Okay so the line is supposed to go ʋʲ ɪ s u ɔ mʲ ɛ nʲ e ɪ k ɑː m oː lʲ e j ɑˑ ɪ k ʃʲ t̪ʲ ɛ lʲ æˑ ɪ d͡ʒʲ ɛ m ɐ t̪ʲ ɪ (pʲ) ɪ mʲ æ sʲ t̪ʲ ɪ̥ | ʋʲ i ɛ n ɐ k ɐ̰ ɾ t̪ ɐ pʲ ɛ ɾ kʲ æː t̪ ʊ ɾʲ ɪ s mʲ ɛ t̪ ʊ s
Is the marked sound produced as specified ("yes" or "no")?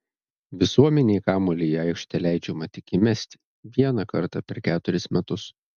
no